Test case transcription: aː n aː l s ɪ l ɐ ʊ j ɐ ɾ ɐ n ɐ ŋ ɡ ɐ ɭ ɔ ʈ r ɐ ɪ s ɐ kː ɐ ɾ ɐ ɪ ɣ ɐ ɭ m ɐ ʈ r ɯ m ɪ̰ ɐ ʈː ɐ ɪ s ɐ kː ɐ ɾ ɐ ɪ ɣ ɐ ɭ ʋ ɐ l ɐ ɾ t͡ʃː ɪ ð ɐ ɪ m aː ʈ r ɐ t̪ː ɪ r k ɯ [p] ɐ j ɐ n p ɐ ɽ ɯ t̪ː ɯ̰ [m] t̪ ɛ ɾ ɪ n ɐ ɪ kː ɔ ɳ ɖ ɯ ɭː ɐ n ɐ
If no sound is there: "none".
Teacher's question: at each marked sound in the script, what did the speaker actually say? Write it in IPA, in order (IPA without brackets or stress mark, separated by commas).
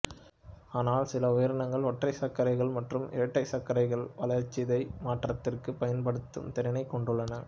p, m